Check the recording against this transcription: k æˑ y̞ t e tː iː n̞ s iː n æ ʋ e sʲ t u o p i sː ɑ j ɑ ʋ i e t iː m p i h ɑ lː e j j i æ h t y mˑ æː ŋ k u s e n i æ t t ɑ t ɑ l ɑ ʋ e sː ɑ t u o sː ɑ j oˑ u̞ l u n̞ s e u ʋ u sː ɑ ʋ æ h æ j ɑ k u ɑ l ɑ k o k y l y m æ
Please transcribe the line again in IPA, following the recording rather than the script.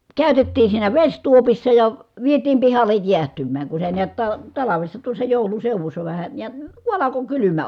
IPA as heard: k æˑ y̞ t e tː iː n̞ s iː n æ ʋ e sʲ t u o p i sː ɑ j ɑ ʋ i e t iː m p i h ɑ lː e j j i æ h t y mˑ æː ŋ k u s e n i æ t t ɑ t ɑ l ɑ ʋ e sː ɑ t u o sː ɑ j oˑ u̞ l u n̞ s e u ʋ u sː ɑ ʋ æ h æ j ɑ k u ɑ l ɑ k o k y l y m æ

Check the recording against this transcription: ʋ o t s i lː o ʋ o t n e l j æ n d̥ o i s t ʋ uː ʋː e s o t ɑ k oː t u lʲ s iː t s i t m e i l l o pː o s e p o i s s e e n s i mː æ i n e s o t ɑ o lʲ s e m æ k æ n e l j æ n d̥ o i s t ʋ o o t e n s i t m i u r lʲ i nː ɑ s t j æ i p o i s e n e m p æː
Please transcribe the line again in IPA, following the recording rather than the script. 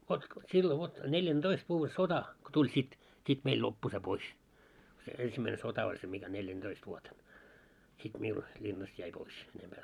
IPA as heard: ʋ o t s i lː o ʋ o t n e l j æ n d̥ o i s t ʋ uː ʋː e s o t ɑ k o t u lʲ s i t s i t m e i l l o pː u s e p o i s s e e n s i mː æ i n e s o t ɑ o lʲ s e m i k æ n e l j æ n d̥ o i s t ʋ u o t e n s i t m i u l lʲ i nː ɑ s t j æ i p o i s e n e m p æː

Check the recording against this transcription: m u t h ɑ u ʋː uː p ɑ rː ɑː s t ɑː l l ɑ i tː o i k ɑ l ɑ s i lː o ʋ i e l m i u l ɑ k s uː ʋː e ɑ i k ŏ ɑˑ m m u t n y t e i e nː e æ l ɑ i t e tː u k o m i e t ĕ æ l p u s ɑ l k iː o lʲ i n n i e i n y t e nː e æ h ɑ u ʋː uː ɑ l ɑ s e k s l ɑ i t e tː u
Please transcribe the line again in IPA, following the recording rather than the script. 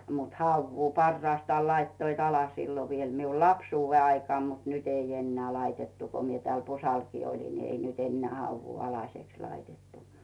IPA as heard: m u t h ɑ u ʋː uː p ɑ rː ɑː s t ɑː l l ɑ i tː o i t ɑ l ɑ s i lː o ʋ i e l m i u l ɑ p s uː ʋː e ɑ i k ŏ ɑˑ m m u t n y t e i e nː e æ l ɑ i t e tː u k o m i e t ĕ æ l p u s ɑ l k iː o lʲ i n n i e i n y t e nː e æ h ɑ u ʋː uː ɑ l ɑ s e k s l ɑ i t e tː u

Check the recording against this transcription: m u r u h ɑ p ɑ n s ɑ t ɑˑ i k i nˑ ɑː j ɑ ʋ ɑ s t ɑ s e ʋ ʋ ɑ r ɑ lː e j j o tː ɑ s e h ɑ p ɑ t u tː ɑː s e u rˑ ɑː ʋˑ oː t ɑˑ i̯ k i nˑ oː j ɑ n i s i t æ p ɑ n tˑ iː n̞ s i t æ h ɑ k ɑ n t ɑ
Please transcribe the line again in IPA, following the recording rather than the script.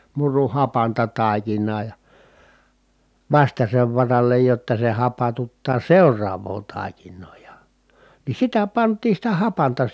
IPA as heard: m u r u h ɑ p ɑ n t ɑ t ɑˑ i k i nˑ ɑː j ɑ ʋ ɑ s t ɑ s e ʋ ʋ ɑ r ɑ lː e j j o tː ɑ s e h ɑ p ɑ t u tː ɑː s e u rˑ ɑː ʋˑ oː t ɑˑ i̯ k i nˑ oː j ɑ n i s i t æ p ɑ n tˑ iː n̞ s i t æ h ɑ p ɑ n t ɑ

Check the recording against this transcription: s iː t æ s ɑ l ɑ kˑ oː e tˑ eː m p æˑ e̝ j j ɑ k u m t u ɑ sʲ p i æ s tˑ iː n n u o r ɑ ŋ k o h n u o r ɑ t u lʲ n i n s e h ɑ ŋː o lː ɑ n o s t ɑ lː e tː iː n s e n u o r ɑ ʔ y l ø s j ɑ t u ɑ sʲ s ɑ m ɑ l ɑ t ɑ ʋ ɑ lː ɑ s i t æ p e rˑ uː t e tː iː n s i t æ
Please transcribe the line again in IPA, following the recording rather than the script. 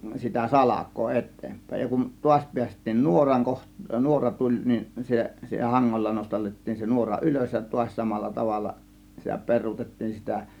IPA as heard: s i t æ s ɑ l ɑ kˑ oː e tˑ eː m p æˑ e̝ j j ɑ k u n t u ɑ sʲ p i æ s tˑ iː n n u o r ɑ ŋ k o h n u o r ɑ t u lʲ n i n s e h ɑ ŋː o lː ɑ n o s t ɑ lː e tː iː n s e n u o r ɑ ʔ y l ø s j ɑ t u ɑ sʲ s ɑ m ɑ lː ɑ t ɑ ʋ ɑ lː ɑ s i t æ p e rˑ uː t e tː iː n s i t æ

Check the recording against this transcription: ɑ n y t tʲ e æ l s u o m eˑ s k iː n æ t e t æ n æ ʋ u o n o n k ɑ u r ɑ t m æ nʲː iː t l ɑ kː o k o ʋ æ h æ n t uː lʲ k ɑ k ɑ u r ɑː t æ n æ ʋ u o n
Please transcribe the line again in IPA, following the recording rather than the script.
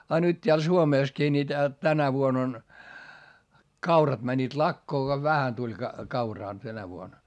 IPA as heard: ɑ n y t tʲ e æ l s u o m eˑ s k iː n i t æ t æ n æ ʋ u o n o n k ɑ u r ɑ t m æ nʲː iː t l ɑ kː oː k o ʋ æ h æ n t u lʲ k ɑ k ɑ u r ɑː t æ n æ ʋ u o n

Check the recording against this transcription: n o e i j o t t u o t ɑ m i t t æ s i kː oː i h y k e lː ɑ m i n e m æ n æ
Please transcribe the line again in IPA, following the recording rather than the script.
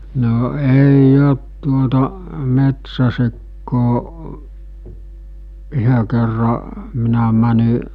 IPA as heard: n o e i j o t t u o t ɑ m e t s æ s i kː oː y h ø k e rː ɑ m i n æ m æ n i

